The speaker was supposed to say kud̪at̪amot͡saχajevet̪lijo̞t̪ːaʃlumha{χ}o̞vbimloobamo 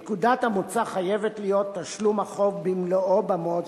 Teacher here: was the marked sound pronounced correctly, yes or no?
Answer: yes